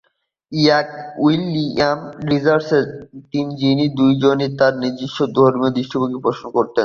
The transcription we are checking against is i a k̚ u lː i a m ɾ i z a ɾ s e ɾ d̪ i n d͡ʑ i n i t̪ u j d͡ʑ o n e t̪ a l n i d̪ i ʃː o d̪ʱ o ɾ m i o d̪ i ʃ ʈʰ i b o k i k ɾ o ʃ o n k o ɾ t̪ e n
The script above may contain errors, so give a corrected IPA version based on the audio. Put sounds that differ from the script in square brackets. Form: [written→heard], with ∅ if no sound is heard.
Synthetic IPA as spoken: i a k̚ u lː i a m ɾ i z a ɾ s e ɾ [d̪→t̪] i n d͡ʑ i n i [t̪→d̪] u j d͡ʑ o n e t̪ a [l→ɾ] n i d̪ i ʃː o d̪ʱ o ɾ m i o d̪ i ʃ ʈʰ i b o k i [k→p] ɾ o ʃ o n k o ɾ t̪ e n